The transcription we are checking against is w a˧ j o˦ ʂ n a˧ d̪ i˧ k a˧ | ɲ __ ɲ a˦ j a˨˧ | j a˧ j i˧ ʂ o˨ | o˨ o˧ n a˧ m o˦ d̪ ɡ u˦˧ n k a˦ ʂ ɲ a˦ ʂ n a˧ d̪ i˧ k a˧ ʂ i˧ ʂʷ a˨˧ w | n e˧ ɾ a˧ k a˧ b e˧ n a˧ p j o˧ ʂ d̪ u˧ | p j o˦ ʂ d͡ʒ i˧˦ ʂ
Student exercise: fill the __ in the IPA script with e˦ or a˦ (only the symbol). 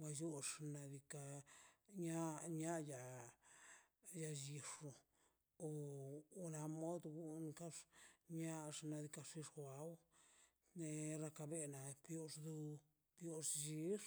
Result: a˦